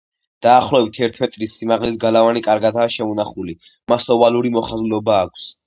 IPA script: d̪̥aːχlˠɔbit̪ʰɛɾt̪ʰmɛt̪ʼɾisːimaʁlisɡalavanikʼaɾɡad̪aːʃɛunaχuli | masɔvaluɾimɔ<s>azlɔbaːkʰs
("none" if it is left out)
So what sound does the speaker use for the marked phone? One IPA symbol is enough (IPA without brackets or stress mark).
χ